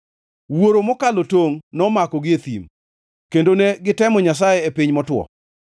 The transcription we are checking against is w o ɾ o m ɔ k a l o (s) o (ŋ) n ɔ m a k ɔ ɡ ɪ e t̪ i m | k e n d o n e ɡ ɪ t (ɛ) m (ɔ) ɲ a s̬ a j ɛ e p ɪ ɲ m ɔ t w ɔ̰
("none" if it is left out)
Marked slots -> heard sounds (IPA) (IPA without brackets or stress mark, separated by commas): t, ŋ, ɛ, ɔ